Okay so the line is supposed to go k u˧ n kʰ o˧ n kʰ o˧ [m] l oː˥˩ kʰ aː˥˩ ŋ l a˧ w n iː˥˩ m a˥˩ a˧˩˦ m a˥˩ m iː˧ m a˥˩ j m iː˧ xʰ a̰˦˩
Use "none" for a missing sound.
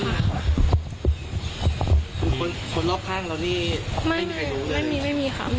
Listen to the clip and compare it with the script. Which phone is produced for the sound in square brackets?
n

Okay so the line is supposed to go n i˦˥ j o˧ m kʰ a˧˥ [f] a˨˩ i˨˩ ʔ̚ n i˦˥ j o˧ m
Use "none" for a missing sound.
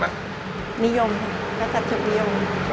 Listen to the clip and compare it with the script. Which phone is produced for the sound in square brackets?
s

